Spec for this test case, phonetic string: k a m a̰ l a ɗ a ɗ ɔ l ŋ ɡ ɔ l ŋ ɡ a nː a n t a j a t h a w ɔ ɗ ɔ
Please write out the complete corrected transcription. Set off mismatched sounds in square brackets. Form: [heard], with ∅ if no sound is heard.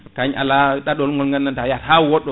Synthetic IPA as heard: k a [ɲ] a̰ l a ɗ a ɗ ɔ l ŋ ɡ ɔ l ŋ ɡ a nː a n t a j a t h a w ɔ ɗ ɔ